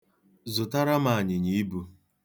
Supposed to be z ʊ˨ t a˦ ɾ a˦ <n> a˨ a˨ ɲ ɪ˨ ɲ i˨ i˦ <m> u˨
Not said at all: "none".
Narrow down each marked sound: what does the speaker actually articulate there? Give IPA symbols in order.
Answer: m, b

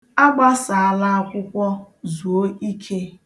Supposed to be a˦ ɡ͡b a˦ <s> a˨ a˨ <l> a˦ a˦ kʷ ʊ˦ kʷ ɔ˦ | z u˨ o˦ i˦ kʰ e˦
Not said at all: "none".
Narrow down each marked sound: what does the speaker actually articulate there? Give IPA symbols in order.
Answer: s, l

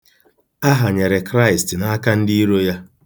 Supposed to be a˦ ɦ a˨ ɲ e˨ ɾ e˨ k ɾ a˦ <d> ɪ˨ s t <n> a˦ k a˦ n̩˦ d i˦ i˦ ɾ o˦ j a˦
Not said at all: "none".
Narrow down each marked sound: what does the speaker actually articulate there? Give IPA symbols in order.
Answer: none, n

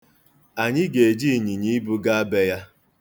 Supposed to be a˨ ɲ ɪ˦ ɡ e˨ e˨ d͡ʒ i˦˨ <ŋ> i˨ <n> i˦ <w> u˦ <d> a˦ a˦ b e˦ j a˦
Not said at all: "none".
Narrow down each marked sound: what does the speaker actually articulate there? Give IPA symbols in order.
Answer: ɲ, ɲ, b, ɡ

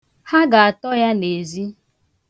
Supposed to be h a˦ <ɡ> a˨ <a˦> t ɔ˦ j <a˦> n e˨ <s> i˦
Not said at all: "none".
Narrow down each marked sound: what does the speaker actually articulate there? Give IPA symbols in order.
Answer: ɡ, a˨, a˦, z

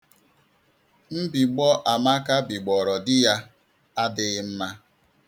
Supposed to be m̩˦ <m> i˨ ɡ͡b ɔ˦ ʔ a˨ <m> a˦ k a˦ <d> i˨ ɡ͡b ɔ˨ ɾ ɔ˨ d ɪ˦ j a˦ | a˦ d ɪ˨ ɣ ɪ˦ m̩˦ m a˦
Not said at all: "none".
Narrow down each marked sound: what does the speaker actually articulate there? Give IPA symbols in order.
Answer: b, m, b

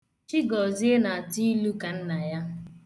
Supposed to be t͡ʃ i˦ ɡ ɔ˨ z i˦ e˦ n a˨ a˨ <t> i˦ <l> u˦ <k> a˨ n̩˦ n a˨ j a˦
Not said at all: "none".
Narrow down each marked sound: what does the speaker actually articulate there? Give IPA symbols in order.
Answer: t, l, k

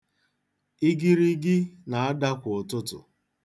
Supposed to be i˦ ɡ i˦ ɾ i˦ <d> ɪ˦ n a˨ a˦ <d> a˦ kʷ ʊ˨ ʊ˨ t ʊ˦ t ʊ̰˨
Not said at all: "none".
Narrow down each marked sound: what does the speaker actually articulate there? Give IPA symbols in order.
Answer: ɡ, d

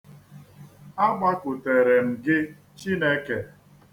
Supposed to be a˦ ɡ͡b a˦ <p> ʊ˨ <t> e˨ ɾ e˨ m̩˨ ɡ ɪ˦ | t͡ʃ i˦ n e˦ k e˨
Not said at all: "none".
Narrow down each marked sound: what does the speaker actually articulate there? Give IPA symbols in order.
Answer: k, t

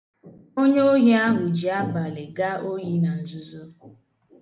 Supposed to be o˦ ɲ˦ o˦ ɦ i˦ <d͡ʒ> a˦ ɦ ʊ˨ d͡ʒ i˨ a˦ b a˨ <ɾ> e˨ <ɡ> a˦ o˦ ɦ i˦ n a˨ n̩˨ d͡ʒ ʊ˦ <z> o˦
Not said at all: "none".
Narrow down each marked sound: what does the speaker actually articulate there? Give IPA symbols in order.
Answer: none, l, ɡ, z

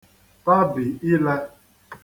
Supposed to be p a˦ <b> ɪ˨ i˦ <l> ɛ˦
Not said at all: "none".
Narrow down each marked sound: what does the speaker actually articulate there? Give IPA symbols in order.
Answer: b, l

